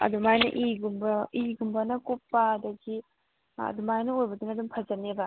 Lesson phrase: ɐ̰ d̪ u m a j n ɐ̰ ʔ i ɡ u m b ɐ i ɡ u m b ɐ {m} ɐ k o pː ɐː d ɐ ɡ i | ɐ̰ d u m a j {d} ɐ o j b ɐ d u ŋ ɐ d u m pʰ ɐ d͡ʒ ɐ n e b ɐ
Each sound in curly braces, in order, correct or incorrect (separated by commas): incorrect, incorrect